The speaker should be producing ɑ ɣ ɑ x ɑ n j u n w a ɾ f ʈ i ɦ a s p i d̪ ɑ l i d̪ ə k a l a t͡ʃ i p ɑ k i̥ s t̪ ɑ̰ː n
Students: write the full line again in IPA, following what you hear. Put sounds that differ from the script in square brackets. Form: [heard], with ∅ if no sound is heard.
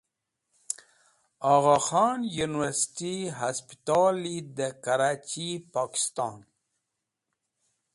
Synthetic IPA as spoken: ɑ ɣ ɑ x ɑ n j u n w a ɾ [s] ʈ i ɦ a s p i [t̪] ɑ l i d̪ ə k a [ɾ] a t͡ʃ i p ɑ k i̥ s t̪ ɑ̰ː n